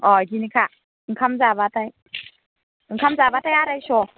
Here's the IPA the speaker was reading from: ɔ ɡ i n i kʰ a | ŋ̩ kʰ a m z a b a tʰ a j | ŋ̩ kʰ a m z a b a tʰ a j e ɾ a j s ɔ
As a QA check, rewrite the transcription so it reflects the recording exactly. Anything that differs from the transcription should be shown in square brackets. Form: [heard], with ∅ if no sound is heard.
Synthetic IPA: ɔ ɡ i n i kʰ a | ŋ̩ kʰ a m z a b a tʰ a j | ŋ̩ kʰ a m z a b a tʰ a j [a] ɾ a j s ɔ